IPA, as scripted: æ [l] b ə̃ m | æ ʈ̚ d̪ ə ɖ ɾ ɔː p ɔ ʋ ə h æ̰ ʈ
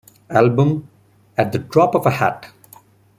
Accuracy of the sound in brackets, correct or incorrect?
correct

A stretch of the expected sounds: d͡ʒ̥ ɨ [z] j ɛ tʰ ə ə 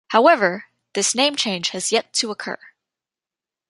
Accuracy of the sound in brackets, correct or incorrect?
correct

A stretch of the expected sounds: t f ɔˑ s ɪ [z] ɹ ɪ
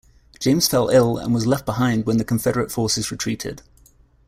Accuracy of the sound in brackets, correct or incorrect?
correct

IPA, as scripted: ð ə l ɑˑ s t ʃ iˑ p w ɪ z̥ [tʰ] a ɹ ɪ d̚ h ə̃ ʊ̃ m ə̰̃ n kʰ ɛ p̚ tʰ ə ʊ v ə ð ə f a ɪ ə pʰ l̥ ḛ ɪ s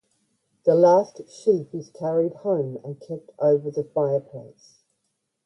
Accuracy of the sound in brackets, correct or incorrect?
incorrect: kʰ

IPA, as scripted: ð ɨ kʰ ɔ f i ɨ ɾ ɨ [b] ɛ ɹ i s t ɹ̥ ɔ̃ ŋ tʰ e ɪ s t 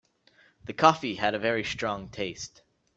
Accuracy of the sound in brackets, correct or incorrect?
incorrect: v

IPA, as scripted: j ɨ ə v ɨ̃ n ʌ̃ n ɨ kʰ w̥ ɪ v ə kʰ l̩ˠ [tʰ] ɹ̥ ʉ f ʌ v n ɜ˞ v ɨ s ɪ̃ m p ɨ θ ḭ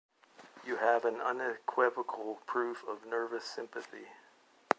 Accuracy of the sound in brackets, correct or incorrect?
incorrect: pʰ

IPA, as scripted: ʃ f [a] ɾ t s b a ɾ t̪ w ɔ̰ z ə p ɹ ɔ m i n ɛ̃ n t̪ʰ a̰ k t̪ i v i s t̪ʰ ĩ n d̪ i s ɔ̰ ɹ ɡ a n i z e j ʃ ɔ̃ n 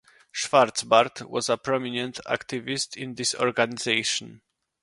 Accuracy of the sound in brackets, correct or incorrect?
correct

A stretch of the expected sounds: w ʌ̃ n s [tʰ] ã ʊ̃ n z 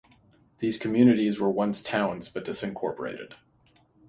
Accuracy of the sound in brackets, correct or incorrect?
correct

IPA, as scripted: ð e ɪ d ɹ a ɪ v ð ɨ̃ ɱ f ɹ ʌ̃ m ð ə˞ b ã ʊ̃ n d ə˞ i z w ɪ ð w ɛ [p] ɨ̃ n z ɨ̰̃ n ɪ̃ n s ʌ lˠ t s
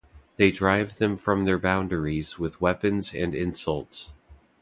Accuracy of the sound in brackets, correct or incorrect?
correct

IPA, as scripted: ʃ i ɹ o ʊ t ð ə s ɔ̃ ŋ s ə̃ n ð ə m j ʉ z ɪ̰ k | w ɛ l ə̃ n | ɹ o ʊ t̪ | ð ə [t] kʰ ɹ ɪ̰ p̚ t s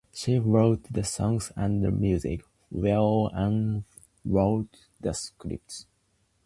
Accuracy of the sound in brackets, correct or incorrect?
incorrect: s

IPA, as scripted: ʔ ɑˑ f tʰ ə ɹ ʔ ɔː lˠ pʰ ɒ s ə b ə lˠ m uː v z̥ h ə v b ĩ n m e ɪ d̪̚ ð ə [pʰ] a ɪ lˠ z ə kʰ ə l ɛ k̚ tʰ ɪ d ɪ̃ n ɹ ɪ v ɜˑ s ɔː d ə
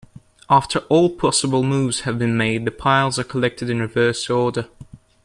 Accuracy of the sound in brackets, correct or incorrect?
correct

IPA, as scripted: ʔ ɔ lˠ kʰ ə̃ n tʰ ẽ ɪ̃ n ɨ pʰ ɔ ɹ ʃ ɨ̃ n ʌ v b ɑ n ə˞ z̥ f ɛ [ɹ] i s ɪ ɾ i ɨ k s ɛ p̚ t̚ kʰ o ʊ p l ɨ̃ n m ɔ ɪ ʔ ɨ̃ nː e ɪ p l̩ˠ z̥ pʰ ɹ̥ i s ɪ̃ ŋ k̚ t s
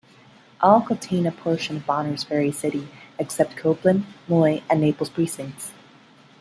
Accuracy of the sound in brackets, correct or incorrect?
correct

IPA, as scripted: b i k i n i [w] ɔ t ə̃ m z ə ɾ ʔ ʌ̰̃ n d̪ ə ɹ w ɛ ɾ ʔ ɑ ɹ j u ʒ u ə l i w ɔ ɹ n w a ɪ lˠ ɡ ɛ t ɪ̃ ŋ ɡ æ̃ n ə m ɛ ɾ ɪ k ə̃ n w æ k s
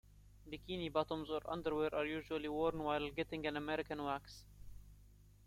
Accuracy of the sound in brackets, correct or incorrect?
incorrect: b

